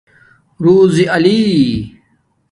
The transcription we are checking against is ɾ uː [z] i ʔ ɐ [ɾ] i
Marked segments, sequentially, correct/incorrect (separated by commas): correct, incorrect